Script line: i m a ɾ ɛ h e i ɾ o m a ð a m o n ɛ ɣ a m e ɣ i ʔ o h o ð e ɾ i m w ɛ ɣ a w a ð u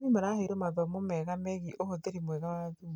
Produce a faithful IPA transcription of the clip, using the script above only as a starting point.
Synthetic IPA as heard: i m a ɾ a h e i ɾ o m a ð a m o m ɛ ɣ a m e ɣ i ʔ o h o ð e ɾ i m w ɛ ɣ a w a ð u